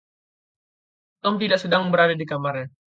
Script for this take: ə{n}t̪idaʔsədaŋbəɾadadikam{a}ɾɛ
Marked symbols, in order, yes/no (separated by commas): no, yes